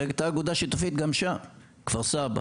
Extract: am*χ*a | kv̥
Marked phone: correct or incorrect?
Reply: incorrect